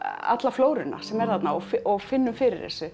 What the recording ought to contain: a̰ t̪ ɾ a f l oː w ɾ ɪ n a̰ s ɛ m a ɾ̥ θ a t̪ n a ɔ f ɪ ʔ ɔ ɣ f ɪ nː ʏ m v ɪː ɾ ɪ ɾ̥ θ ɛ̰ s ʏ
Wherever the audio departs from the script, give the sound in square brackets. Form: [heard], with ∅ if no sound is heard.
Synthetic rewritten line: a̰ t̪ [l] a f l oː w ɾ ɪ n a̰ s ɛ m [ɛ] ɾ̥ θ a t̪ n a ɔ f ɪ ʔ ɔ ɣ f ɪ nː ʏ m [f] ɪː ɾ ɪ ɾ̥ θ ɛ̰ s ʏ